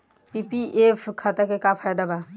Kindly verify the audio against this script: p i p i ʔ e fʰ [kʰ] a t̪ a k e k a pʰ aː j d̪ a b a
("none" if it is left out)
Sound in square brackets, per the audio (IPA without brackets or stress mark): kʰ